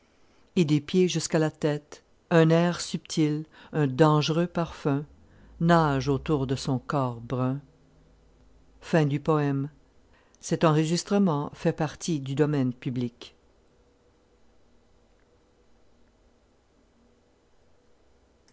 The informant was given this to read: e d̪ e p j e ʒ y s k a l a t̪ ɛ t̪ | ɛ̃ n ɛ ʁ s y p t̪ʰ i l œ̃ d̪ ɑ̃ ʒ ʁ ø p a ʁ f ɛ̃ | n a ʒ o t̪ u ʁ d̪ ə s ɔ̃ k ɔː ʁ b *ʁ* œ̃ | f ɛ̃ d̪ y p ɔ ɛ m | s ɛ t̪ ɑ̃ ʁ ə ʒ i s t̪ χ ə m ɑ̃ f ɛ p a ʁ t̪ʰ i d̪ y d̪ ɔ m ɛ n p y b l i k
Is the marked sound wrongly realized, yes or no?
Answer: no